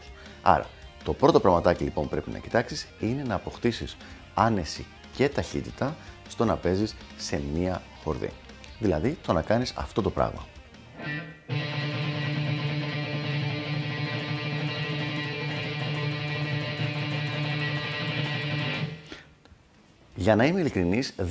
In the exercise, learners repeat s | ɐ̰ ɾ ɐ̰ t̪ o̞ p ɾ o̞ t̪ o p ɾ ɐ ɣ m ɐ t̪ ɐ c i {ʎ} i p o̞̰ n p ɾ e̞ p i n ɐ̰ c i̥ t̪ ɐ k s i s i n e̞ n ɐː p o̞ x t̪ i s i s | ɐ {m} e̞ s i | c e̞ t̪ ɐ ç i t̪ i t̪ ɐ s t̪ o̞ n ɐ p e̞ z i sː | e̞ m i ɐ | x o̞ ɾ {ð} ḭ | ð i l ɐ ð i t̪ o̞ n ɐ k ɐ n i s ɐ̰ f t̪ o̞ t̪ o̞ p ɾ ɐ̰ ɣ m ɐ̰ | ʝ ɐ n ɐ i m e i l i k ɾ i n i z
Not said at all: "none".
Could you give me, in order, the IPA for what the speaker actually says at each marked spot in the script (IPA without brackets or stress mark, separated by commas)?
l, n, ð